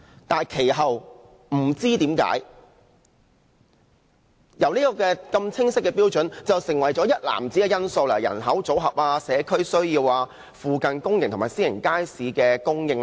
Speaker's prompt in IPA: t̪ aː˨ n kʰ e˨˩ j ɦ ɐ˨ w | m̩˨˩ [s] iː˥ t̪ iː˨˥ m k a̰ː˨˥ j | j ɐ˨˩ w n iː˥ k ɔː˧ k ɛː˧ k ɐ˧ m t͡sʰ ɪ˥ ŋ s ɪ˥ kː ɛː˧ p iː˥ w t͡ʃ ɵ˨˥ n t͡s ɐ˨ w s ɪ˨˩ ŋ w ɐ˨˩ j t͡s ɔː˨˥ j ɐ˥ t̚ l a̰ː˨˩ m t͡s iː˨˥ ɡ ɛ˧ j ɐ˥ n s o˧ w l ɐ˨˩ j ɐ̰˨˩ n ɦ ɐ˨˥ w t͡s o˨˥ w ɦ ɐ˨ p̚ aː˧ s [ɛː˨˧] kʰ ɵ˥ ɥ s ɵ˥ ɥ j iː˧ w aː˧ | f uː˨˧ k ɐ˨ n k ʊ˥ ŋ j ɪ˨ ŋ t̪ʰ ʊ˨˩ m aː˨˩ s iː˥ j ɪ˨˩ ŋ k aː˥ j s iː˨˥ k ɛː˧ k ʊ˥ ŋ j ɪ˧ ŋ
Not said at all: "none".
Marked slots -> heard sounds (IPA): t͡s, ɛː˨˧

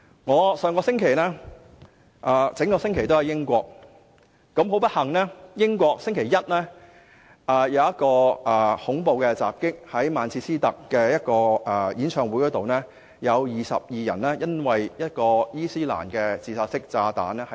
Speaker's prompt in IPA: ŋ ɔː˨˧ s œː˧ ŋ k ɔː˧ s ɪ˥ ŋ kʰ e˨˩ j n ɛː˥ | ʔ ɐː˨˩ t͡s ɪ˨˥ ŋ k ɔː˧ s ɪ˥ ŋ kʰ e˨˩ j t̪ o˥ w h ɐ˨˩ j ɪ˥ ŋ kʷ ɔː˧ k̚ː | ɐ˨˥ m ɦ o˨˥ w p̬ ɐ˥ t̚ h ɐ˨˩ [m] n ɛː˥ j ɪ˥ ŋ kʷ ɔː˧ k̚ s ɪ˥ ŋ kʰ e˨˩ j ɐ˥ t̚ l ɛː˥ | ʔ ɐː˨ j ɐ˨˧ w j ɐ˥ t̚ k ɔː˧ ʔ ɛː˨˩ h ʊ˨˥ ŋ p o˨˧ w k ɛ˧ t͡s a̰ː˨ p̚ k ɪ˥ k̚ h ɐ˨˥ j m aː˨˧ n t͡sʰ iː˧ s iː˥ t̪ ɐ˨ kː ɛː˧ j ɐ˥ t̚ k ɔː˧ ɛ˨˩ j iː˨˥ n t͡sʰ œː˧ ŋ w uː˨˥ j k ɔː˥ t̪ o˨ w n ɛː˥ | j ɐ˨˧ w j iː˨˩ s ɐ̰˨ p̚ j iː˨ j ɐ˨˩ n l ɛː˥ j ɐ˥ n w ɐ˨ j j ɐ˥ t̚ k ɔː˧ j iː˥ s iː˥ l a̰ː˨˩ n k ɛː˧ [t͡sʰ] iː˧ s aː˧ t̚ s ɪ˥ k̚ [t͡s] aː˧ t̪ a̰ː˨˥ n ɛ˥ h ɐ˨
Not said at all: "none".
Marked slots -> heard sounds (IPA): ŋ, t͡s, t͡s

